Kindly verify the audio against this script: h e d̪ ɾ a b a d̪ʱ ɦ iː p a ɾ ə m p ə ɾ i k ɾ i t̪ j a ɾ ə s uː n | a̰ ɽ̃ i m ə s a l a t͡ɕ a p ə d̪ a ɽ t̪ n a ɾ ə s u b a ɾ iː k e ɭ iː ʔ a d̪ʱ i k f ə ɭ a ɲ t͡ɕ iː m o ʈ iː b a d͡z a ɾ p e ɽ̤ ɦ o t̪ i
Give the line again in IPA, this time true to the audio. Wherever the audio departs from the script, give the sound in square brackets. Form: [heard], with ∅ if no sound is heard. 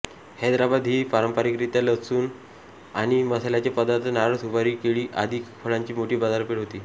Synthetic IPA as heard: h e d̪ ɾ a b a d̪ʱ ɦ iː p a ɾ ə m p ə ɾ i k ɾ i t̪ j a [l] ə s uː n | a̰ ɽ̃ i m ə s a l a t͡ɕ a p ə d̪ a [ɾ] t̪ n a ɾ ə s u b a ɾ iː k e ɭ iː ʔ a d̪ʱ i k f ə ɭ a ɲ t͡ɕ iː m o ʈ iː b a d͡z a ɾ p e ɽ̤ ɦ o t̪ [iː]